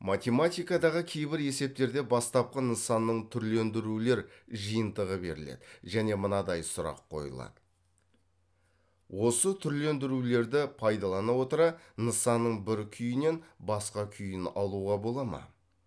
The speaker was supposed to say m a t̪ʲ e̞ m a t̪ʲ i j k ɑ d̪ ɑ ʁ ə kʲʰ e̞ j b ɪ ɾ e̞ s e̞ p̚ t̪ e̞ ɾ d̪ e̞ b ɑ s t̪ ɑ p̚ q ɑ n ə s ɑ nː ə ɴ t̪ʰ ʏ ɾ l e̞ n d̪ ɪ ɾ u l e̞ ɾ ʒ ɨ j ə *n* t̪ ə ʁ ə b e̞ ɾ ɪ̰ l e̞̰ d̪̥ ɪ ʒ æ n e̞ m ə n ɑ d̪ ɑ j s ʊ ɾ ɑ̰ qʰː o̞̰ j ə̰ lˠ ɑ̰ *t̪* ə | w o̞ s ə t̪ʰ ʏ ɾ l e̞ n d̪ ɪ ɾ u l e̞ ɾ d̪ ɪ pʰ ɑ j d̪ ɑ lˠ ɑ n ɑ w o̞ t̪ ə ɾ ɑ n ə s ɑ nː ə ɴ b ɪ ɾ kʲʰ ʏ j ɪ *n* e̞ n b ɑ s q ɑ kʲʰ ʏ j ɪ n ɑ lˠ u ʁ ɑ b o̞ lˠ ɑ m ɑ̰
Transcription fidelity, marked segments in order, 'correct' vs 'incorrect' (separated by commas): correct, incorrect, correct